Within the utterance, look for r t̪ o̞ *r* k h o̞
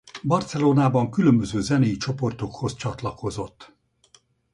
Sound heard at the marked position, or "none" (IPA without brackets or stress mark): none